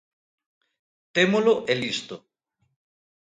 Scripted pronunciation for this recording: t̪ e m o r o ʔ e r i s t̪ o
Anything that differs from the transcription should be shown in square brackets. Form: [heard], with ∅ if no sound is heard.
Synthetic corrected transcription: t̪ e m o [l] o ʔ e [l] i s t̪ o